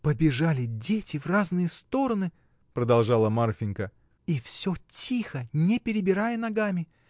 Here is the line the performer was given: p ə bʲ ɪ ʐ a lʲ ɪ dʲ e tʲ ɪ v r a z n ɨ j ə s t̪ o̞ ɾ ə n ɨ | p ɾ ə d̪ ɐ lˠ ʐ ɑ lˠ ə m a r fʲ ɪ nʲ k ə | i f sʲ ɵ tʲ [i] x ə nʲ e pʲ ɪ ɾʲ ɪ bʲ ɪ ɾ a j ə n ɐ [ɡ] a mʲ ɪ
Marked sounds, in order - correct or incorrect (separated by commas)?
correct, correct